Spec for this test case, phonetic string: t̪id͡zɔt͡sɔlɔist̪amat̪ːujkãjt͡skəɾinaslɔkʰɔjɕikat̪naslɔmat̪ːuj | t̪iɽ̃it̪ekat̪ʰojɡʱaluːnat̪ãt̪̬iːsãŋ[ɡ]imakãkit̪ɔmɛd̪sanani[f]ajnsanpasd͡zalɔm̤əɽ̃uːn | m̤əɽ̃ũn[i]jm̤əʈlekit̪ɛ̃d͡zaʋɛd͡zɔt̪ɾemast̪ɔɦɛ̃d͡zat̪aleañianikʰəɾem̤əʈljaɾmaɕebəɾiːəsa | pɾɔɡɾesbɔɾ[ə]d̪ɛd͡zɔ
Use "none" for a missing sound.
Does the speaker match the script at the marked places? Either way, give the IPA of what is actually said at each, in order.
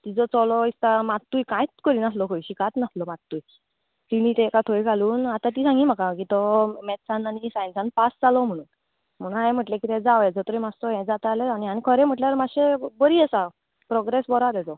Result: ɡ, s, a, a

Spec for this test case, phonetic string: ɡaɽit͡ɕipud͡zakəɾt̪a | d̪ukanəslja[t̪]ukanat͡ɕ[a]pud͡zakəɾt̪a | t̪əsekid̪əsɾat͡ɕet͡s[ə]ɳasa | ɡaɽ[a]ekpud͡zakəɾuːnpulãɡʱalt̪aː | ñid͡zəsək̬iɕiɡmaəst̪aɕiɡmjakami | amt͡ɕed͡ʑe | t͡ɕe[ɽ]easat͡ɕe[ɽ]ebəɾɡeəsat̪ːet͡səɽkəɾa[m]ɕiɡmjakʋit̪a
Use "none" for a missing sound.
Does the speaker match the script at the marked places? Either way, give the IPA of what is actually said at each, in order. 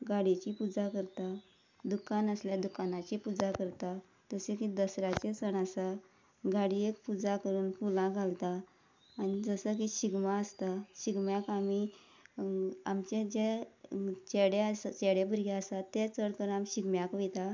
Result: d̪, i, ə, i, ɽ, ɽ, m

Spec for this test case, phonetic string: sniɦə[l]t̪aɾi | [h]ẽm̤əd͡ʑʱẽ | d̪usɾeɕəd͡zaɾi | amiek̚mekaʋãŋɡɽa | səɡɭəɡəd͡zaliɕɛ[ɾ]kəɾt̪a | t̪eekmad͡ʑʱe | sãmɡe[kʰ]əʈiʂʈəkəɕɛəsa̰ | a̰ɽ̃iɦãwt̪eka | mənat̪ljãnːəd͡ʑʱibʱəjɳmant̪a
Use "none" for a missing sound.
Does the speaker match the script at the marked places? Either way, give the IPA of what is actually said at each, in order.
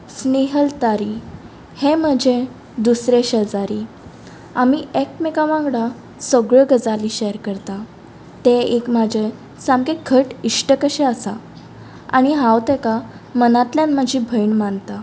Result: l, h, ɾ, kʰ

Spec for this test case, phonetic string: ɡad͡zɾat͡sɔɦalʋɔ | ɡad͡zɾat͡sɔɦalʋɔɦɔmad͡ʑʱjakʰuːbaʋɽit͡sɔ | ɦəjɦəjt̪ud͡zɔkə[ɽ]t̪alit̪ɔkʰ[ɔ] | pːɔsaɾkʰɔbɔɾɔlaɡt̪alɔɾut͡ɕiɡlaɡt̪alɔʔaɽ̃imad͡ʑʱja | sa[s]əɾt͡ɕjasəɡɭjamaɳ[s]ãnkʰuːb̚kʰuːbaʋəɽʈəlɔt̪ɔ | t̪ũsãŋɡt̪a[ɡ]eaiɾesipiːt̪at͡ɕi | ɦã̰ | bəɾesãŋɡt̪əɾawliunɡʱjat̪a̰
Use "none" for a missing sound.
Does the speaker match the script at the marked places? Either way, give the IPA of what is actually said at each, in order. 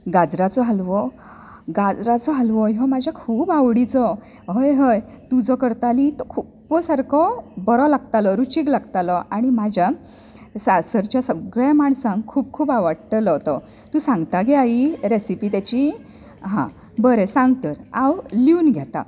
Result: ɾ, u, s, s, ɡ

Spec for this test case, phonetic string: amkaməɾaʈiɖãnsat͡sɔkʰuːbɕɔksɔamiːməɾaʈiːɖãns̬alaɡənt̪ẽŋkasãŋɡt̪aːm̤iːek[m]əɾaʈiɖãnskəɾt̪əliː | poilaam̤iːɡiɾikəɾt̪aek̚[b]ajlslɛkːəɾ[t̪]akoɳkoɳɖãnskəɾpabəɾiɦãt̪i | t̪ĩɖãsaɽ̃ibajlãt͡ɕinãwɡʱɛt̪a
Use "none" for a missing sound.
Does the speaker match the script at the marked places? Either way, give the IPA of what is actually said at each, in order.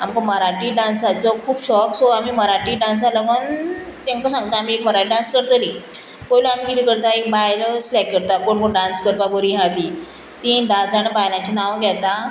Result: m, b, t̪

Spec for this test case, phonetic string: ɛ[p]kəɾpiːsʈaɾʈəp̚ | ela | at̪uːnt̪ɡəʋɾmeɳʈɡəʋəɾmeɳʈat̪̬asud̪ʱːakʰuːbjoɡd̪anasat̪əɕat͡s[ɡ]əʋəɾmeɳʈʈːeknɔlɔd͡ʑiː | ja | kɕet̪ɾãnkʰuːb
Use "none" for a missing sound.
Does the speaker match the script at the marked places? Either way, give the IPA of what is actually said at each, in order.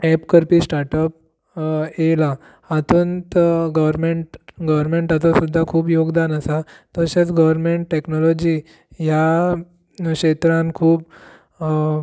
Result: p, ɡ

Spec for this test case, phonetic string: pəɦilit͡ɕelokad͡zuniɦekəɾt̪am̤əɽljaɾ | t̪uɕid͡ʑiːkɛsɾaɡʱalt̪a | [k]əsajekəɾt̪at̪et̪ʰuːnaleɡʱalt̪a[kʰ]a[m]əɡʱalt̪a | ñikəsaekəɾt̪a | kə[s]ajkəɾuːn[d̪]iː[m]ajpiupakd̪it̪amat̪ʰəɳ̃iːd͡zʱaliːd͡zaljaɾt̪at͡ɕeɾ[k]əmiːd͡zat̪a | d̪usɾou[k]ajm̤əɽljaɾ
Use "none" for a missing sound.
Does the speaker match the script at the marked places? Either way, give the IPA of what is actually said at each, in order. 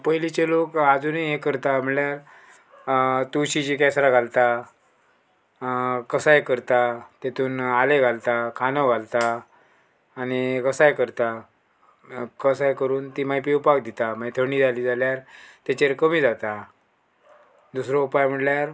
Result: k, kʰ, n, s, t̪, m, k, p

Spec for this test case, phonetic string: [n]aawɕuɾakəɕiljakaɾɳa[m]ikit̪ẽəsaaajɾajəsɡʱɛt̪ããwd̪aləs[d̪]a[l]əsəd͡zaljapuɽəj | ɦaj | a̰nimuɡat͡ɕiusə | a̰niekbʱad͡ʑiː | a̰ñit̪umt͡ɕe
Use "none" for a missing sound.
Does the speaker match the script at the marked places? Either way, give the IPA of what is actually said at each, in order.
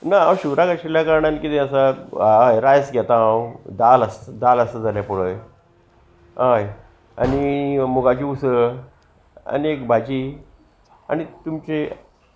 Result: n, n, d̪, l

